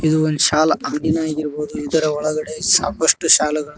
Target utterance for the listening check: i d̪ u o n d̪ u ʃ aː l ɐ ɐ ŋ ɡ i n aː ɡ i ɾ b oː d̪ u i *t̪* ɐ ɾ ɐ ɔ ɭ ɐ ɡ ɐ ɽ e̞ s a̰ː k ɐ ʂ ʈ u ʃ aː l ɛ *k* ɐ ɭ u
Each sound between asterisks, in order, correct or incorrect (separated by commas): incorrect, incorrect